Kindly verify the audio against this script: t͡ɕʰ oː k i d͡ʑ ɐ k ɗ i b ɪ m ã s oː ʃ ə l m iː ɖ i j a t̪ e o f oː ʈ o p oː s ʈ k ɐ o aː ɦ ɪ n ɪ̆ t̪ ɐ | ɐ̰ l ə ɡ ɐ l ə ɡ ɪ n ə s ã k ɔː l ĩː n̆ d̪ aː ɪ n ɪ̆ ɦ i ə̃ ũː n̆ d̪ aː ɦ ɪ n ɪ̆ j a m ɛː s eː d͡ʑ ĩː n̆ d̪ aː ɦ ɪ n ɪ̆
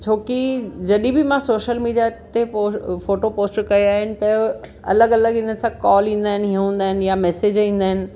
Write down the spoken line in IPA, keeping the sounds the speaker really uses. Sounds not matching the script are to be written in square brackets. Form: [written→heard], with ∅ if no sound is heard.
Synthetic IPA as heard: t͡ɕʰ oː k i d͡ʑ ɐ [k→∅] ɗ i b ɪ m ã s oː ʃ ə l m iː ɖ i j a t̪ e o f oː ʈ o p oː s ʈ k ɐ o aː ɦ ɪ n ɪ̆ t̪ ɐ | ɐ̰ l ə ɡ ɐ l ə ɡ ɪ n ə s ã k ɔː l ĩː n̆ d̪ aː ɪ n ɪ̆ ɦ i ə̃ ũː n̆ d̪ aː ɦ ɪ n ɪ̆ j a m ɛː s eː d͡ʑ ĩː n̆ d̪ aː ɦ ɪ n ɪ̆

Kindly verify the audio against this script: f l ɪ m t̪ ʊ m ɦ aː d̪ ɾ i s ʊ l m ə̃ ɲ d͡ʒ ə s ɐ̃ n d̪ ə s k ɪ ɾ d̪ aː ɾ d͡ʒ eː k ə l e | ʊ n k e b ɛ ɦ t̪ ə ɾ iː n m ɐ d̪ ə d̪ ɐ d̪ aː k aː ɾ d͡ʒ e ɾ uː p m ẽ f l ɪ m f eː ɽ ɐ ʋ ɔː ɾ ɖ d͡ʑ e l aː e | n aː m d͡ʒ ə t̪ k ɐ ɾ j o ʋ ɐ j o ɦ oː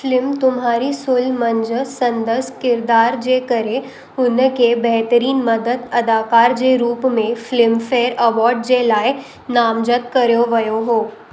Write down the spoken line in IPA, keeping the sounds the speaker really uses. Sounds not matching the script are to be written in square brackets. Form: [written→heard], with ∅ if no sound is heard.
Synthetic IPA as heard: f l ɪ m t̪ ʊ m ɦ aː [d̪→∅] ɾ i s ʊ l m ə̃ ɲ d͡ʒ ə s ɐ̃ n d̪ ə s k ɪ ɾ d̪ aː ɾ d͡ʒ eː k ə [l→ɾ] e | ʊ n k e b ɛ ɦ t̪ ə ɾ iː n m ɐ d̪ ə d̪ ɐ d̪ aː k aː ɾ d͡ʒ e ɾ uː p m ẽ f l ɪ m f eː [ɽ→ɾ] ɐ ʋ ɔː ɾ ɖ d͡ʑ e l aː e | n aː m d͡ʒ ə t̪ k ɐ ɾ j o ʋ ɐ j o ɦ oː

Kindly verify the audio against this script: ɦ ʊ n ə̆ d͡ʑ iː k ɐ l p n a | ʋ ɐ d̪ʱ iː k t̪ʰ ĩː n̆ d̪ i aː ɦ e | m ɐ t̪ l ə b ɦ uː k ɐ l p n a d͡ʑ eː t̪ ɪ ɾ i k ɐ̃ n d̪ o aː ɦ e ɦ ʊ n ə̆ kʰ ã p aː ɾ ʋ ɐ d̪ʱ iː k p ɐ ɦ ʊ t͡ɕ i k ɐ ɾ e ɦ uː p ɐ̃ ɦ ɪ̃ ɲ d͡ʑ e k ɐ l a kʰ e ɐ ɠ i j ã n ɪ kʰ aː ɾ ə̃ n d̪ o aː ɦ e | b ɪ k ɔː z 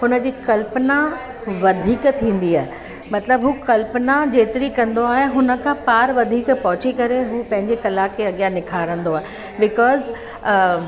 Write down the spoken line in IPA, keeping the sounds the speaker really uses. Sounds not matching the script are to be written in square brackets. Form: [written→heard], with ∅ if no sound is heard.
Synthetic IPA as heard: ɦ ʊ n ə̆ d͡ʑ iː k ɐ l p n a | ʋ ɐ d̪ʱ iː k t̪ʰ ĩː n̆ d̪ i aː ɦ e | m ɐ t̪ l ə b ɦ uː k ɐ l p n a d͡ʑ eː t̪ ɪ ɾ i k ɐ̃ n d̪ o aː ɦ e ɦ ʊ n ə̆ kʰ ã p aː ɾ ʋ ɐ d̪ʱ iː k p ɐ ɦ ʊ t͡ɕ i k ɐ ɾ e ɦ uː p ɐ̃ ɦ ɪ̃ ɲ d͡ʑ e k ɐ l a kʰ e ɐ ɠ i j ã n ɪ kʰ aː ɾ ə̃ n d̪ o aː ɦ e | b ɪ k ɔː z

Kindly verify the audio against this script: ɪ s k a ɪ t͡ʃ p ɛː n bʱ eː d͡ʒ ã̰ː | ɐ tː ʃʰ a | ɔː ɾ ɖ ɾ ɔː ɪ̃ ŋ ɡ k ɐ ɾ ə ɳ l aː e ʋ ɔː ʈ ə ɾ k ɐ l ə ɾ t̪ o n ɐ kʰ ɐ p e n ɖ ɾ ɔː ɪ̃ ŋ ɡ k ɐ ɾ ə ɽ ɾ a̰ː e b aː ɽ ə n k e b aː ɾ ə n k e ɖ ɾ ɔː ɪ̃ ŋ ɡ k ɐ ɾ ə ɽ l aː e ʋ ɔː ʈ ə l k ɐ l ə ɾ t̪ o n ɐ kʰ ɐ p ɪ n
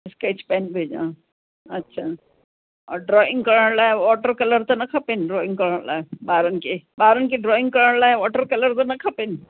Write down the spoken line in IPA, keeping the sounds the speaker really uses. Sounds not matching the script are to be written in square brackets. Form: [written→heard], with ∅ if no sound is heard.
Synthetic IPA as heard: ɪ s k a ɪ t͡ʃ p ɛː n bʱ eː d͡ʒ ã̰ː | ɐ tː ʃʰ a | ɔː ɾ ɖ ɾ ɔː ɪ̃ ŋ ɡ k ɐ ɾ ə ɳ l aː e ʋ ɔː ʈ ə ɾ k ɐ l ə ɾ t̪ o n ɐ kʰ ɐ p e n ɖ ɾ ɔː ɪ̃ ŋ ɡ k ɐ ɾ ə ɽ [ɾ→l] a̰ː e b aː [ɽ→ɾ] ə n k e b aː ɾ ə n k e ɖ ɾ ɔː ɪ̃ ŋ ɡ k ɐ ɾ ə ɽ l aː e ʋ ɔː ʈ ə [l→ɾ] k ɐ l ə ɾ t̪ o n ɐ kʰ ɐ p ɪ n

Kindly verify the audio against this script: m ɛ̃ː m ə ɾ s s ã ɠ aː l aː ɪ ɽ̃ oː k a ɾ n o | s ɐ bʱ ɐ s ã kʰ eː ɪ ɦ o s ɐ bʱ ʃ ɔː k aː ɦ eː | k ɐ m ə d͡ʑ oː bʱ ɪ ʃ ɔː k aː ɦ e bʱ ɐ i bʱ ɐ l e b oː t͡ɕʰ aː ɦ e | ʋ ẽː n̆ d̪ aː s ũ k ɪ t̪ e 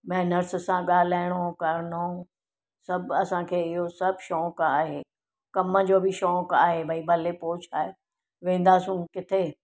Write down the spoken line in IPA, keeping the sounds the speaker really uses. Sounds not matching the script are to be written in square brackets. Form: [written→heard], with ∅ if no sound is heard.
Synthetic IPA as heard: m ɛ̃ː [m→n] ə ɾ s s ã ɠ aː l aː ɪ ɽ̃ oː k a ɾ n o | s ɐ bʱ ɐ s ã kʰ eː ɪ ɦ o s ɐ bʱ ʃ ɔː k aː ɦ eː | k ɐ m ə d͡ʑ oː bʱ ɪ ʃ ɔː k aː ɦ e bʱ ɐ i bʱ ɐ l e [b→p] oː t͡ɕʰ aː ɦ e | ʋ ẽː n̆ d̪ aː s ũ k ɪ [t̪→t̪ʰ] e

